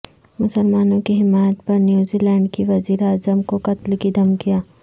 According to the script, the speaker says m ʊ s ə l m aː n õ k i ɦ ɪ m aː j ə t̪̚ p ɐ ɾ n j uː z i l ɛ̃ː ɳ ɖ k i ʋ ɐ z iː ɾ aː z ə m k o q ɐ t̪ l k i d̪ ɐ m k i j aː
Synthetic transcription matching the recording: m ʊ s ə l m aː n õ k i ɦ ɪ m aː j ə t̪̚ p ɐ ɾ n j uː z i l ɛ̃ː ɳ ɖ k i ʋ ɐ z iː ɾ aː z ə m k o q ɐ t̪ l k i d̪ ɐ m k i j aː